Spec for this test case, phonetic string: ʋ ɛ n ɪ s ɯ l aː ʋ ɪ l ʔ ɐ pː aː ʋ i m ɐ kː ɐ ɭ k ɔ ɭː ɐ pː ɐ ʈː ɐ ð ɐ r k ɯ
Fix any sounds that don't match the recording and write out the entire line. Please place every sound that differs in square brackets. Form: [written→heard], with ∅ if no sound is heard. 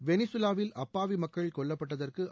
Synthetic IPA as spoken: ʋ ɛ n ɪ s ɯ l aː ʋ ɪ l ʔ ɐ pː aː ʋ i m ɐ kː ɐ ɭ k ɔ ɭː ɐ pː ɐ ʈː ɐ ð ɐ r k ɯ